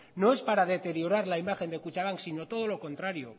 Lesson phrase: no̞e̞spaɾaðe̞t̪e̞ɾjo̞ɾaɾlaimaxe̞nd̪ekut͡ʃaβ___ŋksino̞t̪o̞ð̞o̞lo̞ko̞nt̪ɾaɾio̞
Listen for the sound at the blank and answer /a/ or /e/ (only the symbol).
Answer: a